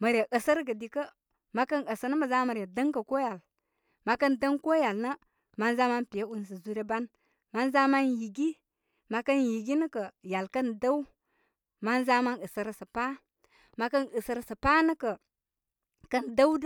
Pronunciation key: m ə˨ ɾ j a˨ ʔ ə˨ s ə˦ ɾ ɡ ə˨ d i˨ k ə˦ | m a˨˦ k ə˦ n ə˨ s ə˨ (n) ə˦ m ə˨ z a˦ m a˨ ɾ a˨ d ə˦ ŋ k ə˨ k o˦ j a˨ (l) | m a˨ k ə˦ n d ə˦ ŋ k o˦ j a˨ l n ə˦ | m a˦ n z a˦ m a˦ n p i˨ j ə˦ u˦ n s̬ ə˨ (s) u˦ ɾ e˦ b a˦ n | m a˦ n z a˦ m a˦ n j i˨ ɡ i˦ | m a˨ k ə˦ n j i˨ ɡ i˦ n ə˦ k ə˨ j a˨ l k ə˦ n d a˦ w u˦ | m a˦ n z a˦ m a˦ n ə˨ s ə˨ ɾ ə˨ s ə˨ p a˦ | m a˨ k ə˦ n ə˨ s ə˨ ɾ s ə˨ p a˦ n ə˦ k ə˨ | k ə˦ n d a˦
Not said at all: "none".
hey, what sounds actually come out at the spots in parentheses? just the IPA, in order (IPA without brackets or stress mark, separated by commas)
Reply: n, l, z